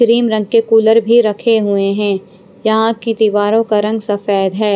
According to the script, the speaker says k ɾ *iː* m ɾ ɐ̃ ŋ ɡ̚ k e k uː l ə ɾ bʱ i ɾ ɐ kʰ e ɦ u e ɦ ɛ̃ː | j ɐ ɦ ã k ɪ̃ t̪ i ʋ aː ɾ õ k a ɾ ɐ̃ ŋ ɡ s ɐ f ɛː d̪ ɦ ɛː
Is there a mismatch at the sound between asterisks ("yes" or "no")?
no